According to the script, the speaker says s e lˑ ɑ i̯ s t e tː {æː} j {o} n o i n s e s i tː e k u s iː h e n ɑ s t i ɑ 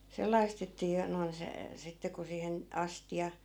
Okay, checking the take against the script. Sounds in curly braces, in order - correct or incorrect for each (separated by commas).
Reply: incorrect, correct